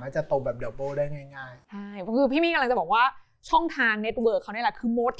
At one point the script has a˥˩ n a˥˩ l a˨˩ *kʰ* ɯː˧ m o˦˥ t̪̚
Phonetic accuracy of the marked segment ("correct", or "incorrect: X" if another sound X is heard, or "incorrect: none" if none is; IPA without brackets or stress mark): correct